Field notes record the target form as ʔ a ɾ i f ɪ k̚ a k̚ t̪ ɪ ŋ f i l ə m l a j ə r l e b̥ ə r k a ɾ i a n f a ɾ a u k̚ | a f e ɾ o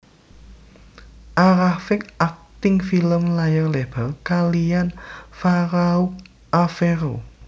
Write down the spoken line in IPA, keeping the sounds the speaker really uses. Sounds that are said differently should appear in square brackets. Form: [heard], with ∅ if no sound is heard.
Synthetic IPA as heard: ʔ a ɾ [a] f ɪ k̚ a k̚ t̪ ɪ ŋ f i l ə m l a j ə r l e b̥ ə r k a [l] i a n f a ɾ a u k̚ | a f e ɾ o